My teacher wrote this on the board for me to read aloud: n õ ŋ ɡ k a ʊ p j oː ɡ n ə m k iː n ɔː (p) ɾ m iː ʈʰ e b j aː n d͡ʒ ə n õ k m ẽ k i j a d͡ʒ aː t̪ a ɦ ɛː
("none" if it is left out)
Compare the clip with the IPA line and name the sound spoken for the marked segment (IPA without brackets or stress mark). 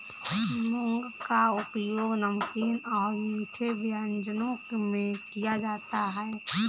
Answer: none